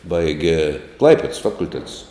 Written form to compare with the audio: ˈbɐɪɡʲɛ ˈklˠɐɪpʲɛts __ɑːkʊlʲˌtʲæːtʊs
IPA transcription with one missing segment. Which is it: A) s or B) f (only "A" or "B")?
B